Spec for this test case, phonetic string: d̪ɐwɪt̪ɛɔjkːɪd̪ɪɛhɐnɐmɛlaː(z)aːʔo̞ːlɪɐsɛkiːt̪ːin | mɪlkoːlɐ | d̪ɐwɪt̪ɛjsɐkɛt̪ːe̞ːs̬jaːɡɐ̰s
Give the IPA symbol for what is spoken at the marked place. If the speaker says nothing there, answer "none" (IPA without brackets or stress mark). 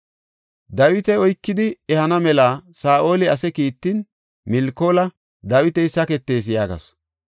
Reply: s